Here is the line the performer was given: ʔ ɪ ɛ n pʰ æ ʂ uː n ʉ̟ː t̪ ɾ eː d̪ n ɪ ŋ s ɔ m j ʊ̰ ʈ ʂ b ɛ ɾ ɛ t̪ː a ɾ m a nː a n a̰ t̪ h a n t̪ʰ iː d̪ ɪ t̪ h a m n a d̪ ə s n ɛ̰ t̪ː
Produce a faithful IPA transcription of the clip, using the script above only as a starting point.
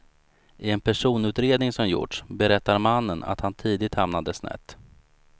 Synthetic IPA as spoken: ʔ ɪ ɛ n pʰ æ ʂ uː n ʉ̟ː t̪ ɾ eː d̪ n ɪ ŋ s ɔ m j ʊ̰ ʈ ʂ b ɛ ɾ ɛ t̪ː a ɾ m a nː ə n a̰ t̪ h a n t̪ʰ iː d̪ ɪ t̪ h a m n a d̪ ə s n ɛ̰ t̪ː